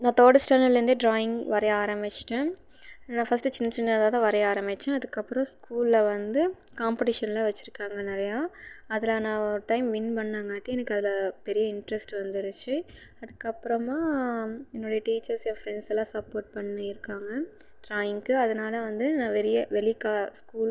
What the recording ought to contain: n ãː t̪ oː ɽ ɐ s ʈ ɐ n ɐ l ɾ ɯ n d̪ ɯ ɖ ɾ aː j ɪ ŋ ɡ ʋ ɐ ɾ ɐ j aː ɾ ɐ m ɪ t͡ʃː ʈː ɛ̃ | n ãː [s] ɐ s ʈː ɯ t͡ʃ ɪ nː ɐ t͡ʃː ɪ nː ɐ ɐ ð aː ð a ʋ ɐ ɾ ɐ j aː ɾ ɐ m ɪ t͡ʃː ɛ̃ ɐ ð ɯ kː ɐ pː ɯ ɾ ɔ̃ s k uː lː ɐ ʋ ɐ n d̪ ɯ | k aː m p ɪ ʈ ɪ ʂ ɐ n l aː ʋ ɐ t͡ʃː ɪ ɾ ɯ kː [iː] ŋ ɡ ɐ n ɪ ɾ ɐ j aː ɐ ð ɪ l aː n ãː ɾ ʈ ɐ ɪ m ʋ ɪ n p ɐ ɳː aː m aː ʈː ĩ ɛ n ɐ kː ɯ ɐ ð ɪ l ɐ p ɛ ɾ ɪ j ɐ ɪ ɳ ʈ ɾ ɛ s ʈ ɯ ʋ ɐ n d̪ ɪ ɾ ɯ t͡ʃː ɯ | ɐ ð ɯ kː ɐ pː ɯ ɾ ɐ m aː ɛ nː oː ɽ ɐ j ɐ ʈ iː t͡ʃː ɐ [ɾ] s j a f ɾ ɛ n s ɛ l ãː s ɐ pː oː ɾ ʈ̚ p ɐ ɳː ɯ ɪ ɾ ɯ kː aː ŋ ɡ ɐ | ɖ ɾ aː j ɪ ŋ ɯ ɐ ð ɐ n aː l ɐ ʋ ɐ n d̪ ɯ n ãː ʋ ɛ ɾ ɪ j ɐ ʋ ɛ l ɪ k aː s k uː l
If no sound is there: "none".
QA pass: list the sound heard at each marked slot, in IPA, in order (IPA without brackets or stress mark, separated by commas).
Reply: f, aː, ɾ